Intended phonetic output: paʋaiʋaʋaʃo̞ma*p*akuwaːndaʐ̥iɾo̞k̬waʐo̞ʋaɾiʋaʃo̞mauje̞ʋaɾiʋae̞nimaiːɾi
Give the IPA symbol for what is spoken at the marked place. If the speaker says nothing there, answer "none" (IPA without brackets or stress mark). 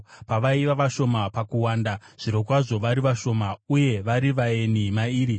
p